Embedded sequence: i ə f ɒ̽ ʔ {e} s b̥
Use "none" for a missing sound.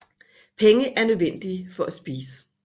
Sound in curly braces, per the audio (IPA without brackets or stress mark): æ